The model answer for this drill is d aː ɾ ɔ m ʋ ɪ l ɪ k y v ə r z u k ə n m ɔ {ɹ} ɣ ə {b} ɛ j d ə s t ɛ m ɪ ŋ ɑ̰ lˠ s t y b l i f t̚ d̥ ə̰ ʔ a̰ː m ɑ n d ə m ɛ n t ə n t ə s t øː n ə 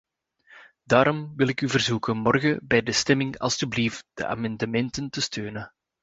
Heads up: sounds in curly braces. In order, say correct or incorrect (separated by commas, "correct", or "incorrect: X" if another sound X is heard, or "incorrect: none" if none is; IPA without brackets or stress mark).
incorrect: r, correct